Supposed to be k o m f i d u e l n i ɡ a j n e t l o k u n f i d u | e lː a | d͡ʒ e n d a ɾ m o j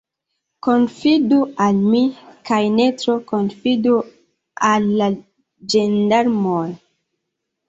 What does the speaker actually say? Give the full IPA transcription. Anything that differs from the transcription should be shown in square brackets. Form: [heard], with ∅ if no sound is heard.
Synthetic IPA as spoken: k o [n] f i d u [a] l [m] i [k] a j n e t [ɾ] o k [o] n f i d u | [a] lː a | d͡ʒ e n d a ɾ m o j